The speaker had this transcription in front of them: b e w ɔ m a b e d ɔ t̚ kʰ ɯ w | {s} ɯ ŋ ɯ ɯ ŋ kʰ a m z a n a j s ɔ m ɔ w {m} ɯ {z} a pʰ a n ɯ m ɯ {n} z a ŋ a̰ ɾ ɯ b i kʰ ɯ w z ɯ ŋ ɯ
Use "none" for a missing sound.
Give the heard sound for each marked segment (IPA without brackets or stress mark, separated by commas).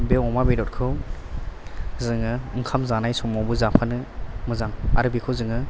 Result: z, b, z, none